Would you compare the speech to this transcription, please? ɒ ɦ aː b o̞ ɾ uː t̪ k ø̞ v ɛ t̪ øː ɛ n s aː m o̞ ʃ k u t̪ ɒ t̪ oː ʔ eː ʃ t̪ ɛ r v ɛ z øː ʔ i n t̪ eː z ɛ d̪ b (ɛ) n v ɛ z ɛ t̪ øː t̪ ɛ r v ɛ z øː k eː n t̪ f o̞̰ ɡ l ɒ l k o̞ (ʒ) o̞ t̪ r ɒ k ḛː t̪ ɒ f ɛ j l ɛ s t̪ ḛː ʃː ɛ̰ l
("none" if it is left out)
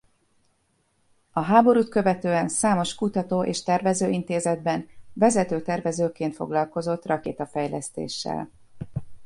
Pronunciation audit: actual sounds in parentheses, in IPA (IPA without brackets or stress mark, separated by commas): ɛ, z